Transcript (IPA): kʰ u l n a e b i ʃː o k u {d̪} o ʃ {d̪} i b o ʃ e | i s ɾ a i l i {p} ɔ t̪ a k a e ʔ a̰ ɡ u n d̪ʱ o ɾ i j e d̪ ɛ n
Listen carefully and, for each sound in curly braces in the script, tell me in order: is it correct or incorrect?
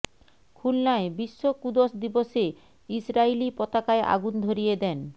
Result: correct, correct, correct

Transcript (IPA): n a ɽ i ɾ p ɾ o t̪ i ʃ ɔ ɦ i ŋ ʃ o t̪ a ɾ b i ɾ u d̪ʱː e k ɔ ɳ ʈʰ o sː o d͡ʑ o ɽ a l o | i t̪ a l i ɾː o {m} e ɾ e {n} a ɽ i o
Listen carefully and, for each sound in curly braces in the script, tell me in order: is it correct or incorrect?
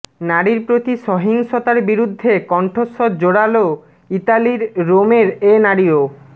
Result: correct, correct

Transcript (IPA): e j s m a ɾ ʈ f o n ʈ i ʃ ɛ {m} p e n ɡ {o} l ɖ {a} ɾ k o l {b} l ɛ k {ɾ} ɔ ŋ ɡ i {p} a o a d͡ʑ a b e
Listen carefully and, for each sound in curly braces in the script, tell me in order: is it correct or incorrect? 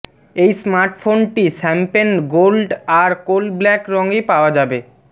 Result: correct, correct, correct, correct, correct, correct

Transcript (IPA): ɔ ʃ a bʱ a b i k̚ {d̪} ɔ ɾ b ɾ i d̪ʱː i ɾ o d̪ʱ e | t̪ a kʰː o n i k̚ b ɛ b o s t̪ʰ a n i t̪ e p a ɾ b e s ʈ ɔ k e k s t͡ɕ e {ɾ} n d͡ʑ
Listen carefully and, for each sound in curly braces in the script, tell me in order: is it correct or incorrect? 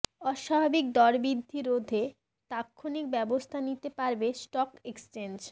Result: correct, incorrect

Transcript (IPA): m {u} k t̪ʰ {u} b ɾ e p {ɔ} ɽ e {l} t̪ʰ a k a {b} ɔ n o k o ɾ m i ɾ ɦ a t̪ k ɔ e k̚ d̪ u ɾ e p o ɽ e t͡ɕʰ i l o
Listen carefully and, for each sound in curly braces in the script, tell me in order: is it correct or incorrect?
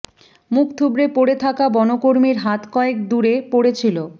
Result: correct, correct, incorrect, incorrect, correct

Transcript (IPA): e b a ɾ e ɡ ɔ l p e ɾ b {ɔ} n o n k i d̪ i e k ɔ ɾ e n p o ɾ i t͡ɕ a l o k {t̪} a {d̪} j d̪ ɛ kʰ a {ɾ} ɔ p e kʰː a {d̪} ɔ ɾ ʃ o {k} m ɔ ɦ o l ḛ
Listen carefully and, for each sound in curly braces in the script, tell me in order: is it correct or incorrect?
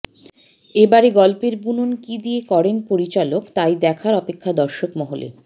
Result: incorrect, correct, incorrect, correct, correct, correct

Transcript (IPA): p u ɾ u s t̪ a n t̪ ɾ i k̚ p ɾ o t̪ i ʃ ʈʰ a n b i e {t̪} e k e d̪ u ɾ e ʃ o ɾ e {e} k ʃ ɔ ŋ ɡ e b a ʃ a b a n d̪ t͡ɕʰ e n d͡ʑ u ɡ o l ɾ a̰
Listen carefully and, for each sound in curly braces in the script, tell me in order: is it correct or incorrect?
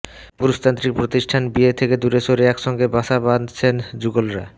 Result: incorrect, incorrect

